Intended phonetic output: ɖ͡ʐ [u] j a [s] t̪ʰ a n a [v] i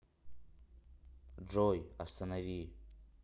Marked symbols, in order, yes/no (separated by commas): no, yes, yes